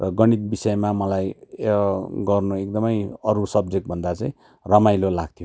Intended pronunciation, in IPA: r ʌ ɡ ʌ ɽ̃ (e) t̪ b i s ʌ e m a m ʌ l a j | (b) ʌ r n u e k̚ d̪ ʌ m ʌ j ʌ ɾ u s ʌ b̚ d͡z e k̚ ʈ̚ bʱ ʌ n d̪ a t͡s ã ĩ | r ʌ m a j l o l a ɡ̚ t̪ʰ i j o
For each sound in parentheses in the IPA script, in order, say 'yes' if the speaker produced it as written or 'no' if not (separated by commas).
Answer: no, no